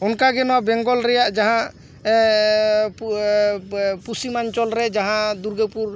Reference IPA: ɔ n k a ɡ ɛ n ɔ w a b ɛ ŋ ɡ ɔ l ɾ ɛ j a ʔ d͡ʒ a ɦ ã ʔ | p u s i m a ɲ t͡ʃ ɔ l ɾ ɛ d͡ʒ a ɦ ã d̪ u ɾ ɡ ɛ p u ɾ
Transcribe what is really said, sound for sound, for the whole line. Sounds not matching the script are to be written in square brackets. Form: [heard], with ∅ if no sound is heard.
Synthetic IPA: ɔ n k a ɡ ɛ n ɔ w a b ɛ ŋ ɡ ɔ l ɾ ɛ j a ʔ d͡ʒ a ɦ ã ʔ | p u s i m a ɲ t͡ʃ ɔ l ɾ ɛ d͡ʒ a ɦ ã d̪ u ɾ ɡ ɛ p u ɾ